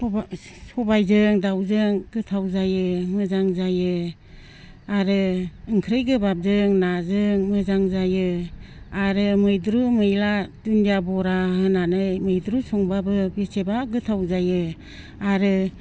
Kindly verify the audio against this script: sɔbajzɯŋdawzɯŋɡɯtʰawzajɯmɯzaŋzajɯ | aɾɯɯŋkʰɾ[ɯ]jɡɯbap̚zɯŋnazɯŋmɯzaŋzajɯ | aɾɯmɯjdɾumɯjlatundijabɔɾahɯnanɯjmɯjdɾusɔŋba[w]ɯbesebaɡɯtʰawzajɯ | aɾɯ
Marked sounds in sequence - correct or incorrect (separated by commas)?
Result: correct, incorrect